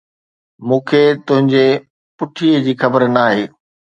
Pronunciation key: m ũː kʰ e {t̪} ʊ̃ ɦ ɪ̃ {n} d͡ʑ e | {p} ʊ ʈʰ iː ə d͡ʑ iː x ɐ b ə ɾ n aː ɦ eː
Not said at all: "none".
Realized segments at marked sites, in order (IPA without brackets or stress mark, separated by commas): t̪, ɲ, p